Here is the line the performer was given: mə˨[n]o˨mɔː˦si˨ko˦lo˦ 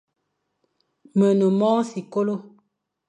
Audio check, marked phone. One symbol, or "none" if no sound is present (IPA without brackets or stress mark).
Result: n